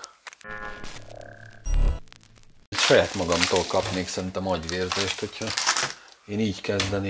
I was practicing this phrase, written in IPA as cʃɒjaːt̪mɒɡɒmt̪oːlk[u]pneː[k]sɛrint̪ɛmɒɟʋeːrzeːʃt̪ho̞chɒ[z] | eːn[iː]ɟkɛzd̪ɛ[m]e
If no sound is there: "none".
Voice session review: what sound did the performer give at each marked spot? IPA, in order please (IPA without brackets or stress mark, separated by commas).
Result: ɒ, k, none, iː, n